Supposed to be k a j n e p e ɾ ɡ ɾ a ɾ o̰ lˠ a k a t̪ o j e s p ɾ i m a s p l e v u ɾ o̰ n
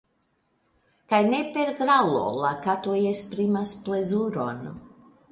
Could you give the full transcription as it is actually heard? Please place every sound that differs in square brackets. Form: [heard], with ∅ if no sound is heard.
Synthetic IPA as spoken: k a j n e p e ɾ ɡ ɾ a [l] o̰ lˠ a k a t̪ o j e s p ɾ i m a s p l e [z] u ɾ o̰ n